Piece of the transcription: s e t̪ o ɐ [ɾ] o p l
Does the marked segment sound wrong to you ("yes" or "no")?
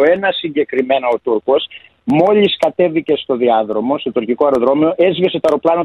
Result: no